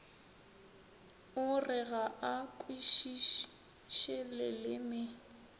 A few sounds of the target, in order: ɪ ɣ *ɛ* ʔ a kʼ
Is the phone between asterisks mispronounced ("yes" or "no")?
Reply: yes